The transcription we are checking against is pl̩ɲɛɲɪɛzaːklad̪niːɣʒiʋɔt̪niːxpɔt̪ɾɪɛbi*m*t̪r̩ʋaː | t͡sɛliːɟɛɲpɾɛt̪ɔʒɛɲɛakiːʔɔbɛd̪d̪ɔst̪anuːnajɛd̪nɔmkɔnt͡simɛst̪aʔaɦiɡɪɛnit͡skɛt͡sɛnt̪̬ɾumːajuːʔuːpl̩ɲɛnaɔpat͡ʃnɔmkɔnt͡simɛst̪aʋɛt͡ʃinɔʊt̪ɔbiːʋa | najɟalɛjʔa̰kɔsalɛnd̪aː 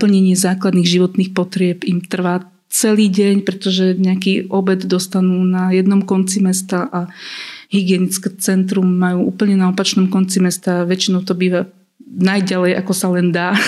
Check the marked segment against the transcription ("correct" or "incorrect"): correct